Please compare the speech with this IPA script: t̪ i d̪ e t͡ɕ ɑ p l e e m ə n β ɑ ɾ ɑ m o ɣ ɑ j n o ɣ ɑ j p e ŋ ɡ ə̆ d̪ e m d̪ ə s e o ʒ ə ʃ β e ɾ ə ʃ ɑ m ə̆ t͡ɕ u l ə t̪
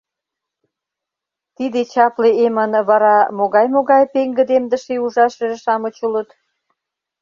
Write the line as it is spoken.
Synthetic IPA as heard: t̪ i d̪ e t͡ɕ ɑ p l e e m ə n β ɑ ɾ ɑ m o ɣ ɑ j m o ɣ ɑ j p e ŋ ɡ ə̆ d̪ e m d̪ ə ʃ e u ʒ ɑ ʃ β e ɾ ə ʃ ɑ m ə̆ t͡ɕ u l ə t̪